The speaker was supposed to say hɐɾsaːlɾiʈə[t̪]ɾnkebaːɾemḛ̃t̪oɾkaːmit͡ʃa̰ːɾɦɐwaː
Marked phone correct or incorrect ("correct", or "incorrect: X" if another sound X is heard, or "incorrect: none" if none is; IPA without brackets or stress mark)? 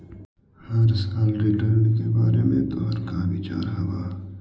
incorrect: none